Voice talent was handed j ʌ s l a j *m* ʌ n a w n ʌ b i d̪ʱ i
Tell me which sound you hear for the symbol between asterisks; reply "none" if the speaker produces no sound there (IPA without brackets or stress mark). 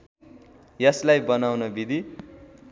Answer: b